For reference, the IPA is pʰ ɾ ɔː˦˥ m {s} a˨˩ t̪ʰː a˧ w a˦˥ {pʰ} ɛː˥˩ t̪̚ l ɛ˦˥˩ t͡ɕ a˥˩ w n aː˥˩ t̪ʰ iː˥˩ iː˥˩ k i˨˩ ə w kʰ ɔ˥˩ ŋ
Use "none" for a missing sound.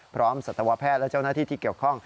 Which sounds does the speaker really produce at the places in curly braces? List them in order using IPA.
s, pʰ

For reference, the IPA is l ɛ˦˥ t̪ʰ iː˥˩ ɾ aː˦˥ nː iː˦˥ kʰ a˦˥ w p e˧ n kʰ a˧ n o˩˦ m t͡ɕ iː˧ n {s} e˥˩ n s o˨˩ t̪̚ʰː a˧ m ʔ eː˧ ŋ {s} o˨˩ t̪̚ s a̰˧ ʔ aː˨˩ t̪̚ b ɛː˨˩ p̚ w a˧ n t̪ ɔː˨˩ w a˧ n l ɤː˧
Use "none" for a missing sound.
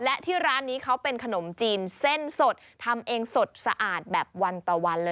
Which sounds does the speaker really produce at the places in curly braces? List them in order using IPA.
s, s

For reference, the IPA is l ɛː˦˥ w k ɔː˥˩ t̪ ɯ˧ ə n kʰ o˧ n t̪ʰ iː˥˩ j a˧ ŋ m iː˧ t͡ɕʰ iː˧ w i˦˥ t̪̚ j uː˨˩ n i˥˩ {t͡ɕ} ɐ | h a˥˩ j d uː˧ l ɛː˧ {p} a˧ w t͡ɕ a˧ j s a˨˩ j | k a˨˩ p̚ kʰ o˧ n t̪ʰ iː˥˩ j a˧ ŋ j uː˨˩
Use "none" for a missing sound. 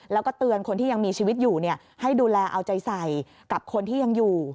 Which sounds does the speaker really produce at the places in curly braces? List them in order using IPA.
none, ʔ

